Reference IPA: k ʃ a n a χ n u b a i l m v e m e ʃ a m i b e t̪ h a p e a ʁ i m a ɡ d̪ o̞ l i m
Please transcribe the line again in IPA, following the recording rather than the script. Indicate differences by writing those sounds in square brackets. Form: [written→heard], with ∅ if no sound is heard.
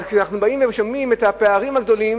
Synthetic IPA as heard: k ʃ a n a χ n u b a i [l→∅] m v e m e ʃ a m i [b→m] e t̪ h a p e a ʁ i m a ɡ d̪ o̞ l i m